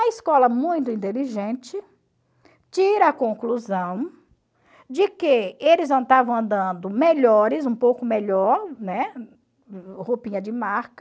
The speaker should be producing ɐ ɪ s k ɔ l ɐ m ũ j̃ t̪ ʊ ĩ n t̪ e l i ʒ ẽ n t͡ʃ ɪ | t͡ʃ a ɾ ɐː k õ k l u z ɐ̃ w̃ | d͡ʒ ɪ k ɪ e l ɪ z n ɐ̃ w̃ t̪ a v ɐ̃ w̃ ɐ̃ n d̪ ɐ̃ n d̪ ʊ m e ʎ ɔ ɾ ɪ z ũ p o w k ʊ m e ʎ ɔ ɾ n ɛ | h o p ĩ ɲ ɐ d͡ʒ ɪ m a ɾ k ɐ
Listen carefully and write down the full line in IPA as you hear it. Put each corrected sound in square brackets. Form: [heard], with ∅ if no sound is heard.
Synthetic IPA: ɐ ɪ s k ɔ l ɐ m ũ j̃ t̪ ʊ ĩ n t̪ e l i ʒ ẽ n t͡ʃ ɪ | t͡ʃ [i] ɾ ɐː k õ k l u z ɐ̃ w̃ | d͡ʒ ɪ k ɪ e l ɪ z n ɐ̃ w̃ t̪ a v ɐ̃ w̃ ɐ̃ n d̪ ɐ̃ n d̪ ʊ m e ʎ ɔ ɾ ɪ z ũ p o w k ʊ m e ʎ ɔ ɾ n ɛ | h o p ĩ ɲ ɐ d͡ʒ ɪ m a ɾ k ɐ